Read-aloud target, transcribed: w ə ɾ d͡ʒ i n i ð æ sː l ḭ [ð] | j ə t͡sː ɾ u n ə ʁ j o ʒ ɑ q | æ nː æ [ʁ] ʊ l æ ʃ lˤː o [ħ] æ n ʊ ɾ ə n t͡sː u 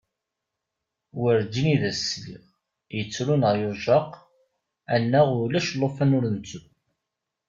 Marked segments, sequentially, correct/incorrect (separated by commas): incorrect, correct, incorrect